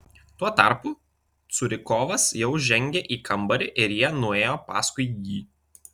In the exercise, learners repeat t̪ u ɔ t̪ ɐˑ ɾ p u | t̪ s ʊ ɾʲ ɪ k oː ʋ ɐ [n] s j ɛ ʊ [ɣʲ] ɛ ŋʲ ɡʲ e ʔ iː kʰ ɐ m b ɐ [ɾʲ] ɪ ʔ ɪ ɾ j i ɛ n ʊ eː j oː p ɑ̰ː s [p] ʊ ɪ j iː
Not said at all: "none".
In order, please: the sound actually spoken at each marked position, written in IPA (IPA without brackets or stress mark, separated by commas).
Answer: none, ʒʲ, ɾʲ, k